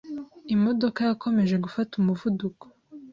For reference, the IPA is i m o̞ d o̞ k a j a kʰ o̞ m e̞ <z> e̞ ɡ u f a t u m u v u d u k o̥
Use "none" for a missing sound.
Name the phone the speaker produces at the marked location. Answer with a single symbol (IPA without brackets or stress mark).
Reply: ʒ